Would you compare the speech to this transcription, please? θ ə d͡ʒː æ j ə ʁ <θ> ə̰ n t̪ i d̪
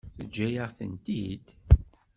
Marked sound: correct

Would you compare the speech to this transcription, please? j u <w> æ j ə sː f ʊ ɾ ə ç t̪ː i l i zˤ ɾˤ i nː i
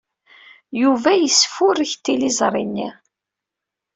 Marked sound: incorrect: v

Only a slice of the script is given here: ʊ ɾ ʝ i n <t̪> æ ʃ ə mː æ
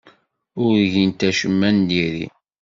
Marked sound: correct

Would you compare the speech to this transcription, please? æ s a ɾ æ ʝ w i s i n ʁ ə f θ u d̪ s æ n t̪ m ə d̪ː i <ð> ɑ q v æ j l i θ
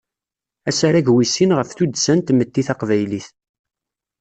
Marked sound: incorrect: θ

